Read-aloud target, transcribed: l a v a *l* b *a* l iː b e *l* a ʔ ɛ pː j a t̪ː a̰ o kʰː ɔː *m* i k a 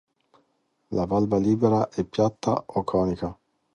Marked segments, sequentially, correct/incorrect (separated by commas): correct, correct, incorrect, incorrect